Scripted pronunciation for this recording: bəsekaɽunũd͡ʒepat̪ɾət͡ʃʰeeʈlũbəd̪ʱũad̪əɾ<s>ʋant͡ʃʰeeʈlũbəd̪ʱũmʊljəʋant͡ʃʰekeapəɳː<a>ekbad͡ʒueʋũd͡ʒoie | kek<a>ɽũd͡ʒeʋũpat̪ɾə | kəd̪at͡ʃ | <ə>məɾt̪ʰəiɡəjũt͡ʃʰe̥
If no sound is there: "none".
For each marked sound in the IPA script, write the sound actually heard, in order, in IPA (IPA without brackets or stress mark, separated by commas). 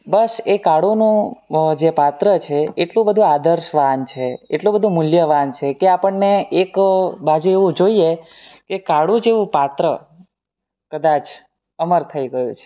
ʃ, e, a, ə